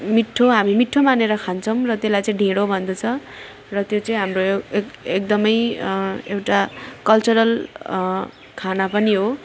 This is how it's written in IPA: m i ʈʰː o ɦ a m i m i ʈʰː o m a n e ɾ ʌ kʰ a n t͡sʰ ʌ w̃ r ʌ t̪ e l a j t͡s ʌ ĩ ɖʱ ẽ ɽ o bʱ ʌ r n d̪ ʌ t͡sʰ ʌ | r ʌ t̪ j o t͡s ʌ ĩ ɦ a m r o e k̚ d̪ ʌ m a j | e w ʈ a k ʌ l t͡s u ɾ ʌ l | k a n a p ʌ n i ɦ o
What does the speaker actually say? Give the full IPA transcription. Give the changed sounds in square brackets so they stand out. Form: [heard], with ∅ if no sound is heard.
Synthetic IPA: m i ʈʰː o ɦ a m i m i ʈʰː o m a n e ɾ ʌ kʰ a n t͡sʰ ʌ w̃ r ʌ t̪ e l a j t͡s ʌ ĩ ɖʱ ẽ ɽ o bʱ ʌ [∅] n d̪ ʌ t͡sʰ ʌ | r ʌ t̪ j o t͡s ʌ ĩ ɦ a m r o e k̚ d̪ ʌ m [ʌ] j | e w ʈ a k ʌ l t͡s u ɾ ʌ l | [kʰ] a n a p ʌ n i ɦ o